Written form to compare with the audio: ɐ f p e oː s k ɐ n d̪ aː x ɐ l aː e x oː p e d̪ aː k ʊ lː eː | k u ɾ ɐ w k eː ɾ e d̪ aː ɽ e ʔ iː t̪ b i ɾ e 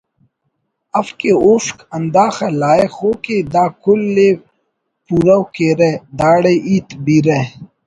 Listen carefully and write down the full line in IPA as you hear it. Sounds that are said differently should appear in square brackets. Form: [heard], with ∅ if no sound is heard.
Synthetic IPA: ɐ f [k] e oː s k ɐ n d̪ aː x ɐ l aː e x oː [k] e d̪ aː k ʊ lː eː | [p] u ɾ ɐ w k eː ɾ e d̪ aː ɽ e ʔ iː t̪ b i ɾ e